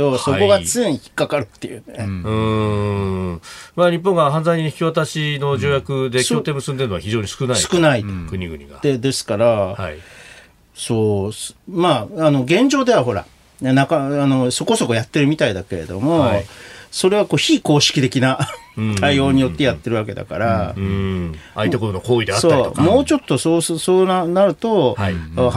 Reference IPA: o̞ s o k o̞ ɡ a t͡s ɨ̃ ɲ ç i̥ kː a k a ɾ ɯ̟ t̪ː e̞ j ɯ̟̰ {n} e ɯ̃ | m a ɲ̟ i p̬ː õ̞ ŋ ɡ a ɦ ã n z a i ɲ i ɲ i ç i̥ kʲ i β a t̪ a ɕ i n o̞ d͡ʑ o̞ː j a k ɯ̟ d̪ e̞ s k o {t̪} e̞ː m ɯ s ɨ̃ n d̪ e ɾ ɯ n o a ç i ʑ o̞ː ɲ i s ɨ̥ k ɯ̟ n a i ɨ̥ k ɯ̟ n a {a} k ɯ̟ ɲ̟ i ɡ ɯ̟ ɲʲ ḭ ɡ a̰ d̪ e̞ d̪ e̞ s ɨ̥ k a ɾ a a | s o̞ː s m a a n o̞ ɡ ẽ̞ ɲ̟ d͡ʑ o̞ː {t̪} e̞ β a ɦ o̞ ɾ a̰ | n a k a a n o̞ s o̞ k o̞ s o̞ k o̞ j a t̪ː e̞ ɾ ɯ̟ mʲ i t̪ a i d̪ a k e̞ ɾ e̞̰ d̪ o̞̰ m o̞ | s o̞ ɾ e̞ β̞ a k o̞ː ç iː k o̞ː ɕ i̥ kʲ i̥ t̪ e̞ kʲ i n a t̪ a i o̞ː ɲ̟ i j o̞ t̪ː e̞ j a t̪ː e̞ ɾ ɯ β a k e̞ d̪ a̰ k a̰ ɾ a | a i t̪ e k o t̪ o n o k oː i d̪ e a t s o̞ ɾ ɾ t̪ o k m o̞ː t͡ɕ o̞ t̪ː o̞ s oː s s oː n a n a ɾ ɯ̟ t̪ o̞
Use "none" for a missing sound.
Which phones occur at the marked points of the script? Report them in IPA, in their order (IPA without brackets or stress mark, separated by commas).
n, t̪, i, d̪